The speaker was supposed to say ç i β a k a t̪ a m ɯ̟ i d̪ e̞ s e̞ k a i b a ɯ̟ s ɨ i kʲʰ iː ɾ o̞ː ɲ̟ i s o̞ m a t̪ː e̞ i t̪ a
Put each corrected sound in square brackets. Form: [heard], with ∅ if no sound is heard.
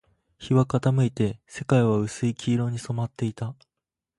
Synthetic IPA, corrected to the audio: ç i β a k a t̪ a m ɯ̟ i [t̪] e̞ s e̞ k a i [β] a ɯ̟ s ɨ i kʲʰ iː ɾ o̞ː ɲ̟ i s o̞ m a t̪ː e̞ i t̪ a